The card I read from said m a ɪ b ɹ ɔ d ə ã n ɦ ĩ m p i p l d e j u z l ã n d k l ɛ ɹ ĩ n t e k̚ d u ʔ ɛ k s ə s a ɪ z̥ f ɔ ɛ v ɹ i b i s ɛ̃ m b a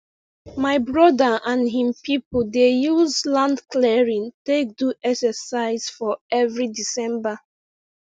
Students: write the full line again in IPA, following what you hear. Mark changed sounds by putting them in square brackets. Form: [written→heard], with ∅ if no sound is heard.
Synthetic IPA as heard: m a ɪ b ɹ ɔ d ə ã n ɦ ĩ m p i p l d e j u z l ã n d k l ɛ ɹ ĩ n t e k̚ d u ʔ ɛ k s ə s a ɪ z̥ f ɔ ɛ v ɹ i [b→d] i s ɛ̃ m b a